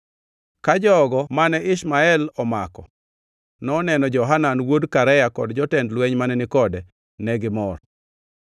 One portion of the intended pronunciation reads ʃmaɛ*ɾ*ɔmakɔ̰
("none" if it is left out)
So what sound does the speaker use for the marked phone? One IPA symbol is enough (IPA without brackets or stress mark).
l